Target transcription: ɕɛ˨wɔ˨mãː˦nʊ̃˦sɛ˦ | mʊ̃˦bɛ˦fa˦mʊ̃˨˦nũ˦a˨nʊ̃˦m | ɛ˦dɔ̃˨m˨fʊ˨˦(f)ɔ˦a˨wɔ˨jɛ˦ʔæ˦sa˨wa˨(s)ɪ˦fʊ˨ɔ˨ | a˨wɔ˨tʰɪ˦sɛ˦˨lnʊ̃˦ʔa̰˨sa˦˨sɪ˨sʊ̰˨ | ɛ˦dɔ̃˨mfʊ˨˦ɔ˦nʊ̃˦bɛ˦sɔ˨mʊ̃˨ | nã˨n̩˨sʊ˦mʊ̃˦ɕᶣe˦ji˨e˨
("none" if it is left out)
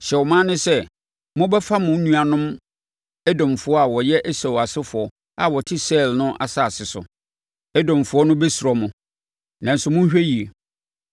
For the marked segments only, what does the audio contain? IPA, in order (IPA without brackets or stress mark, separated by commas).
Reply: none, s